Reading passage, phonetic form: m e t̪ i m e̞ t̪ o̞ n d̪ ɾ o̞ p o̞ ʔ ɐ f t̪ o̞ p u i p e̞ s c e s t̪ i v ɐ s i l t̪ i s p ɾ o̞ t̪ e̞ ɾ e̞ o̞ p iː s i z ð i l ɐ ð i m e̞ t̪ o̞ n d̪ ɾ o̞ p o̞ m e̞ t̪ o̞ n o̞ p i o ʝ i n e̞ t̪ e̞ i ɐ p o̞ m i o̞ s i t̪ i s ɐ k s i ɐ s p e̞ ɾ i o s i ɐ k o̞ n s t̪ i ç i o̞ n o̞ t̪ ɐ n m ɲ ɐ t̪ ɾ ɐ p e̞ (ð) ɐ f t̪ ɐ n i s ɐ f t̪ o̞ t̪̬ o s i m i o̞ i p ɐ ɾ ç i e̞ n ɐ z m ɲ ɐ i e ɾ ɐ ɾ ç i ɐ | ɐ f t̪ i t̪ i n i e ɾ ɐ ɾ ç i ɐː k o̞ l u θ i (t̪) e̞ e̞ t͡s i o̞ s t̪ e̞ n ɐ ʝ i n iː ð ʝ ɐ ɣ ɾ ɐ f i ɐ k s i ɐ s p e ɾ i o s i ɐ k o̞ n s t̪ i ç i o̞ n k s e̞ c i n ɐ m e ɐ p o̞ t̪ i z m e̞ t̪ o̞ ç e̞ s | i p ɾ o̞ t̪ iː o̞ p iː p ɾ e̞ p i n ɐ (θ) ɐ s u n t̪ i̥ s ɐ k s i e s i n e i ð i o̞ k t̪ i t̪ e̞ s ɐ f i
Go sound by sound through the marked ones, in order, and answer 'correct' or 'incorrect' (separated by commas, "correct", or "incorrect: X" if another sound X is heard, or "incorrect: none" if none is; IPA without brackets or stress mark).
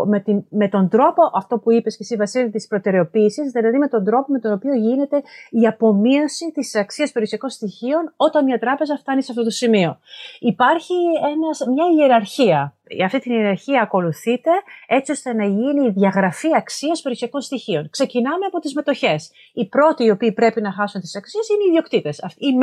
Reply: incorrect: z, correct, incorrect: x